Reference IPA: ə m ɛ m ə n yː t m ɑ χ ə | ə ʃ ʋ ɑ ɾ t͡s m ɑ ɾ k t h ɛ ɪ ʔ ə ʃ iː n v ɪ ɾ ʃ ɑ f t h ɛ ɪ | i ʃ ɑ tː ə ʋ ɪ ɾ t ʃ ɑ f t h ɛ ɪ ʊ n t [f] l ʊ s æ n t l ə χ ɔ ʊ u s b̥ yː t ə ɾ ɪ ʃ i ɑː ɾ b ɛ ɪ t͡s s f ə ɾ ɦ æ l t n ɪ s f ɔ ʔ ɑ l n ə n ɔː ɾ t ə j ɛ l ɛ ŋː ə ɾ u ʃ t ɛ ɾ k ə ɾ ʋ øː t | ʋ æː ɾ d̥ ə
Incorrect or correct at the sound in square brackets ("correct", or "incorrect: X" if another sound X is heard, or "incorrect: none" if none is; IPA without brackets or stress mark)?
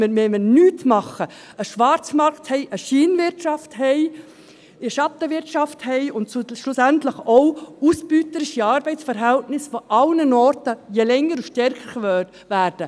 incorrect: ʃ